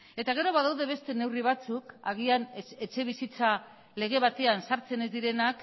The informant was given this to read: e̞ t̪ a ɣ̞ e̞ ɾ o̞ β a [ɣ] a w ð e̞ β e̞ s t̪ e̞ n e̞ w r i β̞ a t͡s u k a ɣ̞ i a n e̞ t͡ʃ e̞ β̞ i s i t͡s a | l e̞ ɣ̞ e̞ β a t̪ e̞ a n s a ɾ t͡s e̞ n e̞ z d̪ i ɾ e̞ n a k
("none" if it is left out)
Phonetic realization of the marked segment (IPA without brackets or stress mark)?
ð